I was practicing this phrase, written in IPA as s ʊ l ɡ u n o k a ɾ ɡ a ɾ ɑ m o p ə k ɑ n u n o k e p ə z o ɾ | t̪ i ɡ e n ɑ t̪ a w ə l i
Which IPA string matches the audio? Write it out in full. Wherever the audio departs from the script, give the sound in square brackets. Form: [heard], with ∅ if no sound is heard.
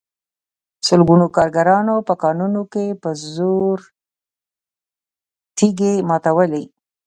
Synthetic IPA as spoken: s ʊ l ɡ u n o k [ɑ] ɾ ɡ a ɾ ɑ [n] o p ə k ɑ n u n o k e p ə z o ɾ | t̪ i ɡ e [m] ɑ t̪ a w ə l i